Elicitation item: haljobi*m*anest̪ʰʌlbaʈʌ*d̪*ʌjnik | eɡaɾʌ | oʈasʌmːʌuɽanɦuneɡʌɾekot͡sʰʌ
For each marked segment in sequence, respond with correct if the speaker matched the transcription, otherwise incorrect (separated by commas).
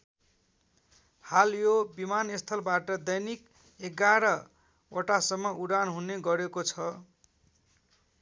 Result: correct, correct